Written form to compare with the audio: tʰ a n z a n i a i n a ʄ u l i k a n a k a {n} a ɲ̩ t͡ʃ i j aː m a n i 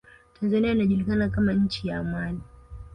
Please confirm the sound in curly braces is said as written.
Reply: no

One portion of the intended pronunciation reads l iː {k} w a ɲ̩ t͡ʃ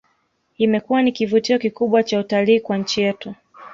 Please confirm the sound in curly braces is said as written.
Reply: yes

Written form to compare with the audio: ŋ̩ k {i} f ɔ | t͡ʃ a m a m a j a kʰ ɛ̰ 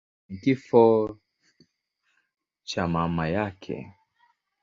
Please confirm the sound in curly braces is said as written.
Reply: yes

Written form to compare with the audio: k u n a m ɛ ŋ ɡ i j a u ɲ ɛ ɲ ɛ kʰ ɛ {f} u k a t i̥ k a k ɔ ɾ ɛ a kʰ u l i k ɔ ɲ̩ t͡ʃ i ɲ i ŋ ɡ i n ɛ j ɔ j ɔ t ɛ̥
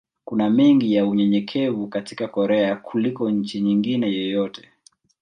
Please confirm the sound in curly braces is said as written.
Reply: no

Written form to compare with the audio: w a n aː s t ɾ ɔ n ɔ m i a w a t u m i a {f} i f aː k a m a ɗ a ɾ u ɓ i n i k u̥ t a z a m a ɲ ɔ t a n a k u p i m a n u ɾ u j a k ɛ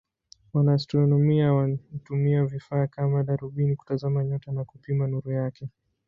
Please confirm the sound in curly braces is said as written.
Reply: no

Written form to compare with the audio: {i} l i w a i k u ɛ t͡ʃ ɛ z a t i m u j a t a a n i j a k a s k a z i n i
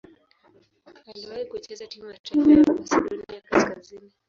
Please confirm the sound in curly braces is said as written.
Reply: no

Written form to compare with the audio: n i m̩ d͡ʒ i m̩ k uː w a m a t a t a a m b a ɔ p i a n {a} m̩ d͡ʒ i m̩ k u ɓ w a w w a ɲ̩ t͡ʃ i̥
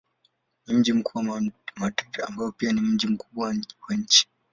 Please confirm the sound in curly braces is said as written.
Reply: no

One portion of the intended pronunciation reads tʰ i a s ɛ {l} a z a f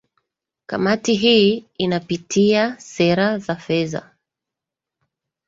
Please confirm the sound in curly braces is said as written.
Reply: no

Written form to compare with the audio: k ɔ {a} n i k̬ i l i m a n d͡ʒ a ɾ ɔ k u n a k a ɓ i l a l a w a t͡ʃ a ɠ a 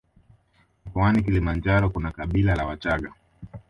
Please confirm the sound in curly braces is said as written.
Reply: yes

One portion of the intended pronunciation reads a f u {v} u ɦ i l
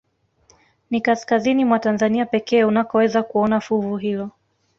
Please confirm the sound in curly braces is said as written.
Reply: yes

